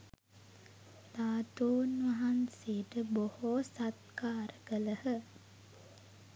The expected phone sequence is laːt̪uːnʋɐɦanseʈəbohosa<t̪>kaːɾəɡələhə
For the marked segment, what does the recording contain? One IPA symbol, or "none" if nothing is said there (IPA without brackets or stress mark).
t̪